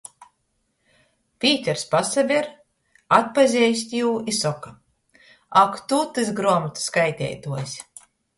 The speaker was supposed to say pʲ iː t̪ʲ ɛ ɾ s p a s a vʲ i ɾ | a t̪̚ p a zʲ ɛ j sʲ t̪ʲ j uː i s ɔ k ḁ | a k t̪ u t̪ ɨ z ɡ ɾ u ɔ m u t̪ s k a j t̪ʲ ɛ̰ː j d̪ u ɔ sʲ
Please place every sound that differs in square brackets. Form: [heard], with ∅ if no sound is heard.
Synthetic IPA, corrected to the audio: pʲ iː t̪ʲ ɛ ɾ s p a s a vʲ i ɾ | a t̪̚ p a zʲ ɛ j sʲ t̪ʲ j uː i s ɔ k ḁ | a k t̪ u t̪ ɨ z ɡ ɾ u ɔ m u t̪ s k a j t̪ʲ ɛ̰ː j [t̪] u ɔ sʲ